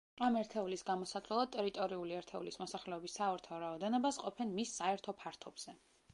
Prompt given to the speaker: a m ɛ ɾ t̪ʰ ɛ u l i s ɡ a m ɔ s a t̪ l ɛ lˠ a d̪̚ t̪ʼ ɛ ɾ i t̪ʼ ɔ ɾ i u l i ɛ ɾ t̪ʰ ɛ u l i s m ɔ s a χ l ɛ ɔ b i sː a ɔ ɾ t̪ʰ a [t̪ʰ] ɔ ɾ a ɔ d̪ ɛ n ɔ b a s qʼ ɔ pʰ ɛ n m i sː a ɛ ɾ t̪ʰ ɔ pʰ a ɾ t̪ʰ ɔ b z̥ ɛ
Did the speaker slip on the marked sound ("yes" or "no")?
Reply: yes